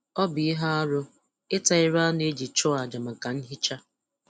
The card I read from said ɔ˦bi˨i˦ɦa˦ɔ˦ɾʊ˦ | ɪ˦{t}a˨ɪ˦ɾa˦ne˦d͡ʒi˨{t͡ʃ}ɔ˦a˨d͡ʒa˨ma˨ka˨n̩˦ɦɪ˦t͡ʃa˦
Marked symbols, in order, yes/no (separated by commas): yes, yes